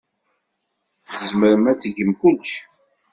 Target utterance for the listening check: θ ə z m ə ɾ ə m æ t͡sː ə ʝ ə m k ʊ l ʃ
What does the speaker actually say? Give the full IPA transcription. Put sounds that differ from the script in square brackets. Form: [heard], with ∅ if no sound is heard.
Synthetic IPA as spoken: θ ə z m ə ɾ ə m æ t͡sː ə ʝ ə m k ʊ l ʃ